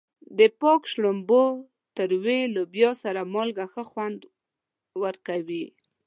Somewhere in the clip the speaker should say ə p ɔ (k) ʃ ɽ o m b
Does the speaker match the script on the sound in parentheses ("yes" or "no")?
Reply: yes